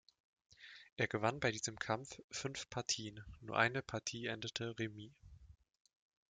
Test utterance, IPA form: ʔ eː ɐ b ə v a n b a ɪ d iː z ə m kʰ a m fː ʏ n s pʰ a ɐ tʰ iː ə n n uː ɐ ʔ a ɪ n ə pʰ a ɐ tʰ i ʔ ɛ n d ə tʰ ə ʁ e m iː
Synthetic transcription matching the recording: ʔ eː ɐ ɡ ə v a n b a ɪ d iː z ə m kʰ a m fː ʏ n f pʰ a ɐ tʰ iː ə n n uː ɐ ʔ a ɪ n ə pʰ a ɐ tʰ iː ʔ ɛ n d ə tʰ ə ʁ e m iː